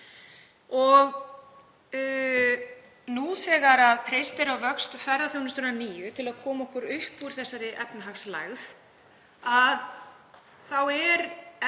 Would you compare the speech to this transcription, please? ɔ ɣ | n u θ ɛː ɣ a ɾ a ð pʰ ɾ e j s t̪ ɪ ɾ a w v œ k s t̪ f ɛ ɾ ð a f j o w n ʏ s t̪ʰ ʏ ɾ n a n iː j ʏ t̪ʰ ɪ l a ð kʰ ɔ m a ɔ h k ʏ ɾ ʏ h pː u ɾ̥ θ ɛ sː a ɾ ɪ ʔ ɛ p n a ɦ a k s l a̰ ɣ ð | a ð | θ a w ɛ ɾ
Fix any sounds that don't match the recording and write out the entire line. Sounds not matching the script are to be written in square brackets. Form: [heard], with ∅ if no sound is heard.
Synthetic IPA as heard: ɔ ɣ | n u θ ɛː ɣ a ɾ a ð pʰ ɾ e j s t̪ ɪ ɾ a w v œ k s t̪ f ɛ ɾ ð a [θ] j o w n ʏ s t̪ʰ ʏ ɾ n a n iː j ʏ t̪ʰ ɪ l a ð kʰ [ɔː] m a ɔ h k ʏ ɾ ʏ h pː u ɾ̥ θ ɛ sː a ɾ ɪ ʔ ɛ p n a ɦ a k s l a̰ ɣ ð | a ð | θ a w ɛ ɾ